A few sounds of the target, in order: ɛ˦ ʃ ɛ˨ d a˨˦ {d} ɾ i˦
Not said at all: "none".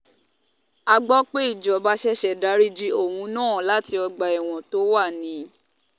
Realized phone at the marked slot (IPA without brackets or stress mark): none